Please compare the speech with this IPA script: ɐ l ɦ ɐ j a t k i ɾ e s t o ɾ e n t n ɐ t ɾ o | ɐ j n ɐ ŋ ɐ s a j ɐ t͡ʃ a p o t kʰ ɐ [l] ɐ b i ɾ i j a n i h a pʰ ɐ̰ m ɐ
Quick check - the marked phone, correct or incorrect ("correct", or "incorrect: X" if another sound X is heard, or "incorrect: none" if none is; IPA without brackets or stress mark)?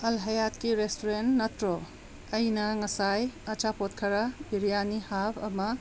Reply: incorrect: ɾ